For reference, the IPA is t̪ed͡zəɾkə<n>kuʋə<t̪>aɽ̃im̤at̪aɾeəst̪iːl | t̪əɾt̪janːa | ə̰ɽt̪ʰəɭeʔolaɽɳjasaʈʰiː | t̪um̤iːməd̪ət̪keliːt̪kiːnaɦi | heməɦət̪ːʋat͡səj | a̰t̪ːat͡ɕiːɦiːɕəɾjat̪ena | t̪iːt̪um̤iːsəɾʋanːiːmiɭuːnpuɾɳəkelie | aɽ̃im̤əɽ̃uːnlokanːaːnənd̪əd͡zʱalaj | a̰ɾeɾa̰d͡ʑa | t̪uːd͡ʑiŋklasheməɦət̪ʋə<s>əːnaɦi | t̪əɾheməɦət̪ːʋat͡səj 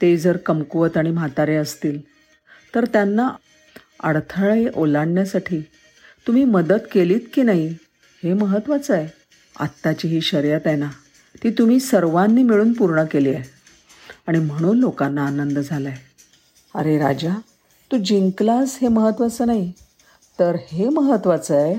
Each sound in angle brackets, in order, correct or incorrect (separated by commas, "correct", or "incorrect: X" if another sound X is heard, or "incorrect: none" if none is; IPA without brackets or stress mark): incorrect: m, correct, incorrect: t͡s